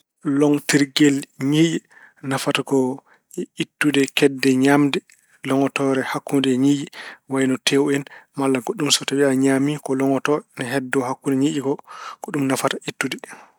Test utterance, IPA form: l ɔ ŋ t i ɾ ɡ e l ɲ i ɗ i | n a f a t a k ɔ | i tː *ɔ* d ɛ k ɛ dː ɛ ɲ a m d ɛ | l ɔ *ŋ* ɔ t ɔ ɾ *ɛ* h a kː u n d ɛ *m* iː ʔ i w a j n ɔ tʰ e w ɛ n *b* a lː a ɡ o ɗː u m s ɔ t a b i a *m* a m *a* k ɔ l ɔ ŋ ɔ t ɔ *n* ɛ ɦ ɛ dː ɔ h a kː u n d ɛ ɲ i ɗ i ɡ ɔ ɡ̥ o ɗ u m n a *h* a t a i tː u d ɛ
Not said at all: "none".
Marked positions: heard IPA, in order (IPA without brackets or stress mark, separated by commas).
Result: u, ŋ, ɛ, ɲ, m, ɲ, i, n, f